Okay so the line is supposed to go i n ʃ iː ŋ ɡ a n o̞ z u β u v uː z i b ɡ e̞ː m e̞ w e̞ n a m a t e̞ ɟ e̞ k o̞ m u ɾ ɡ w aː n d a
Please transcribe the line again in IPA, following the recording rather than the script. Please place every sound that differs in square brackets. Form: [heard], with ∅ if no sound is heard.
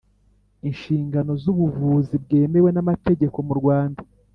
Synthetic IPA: i n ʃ iː ŋ ɡ a n o̞ z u β u v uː z i b ɡ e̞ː m e̞ w e̞ n a m a t e̞ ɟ e̞ k o̞ m u ɾ ɡ w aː n d a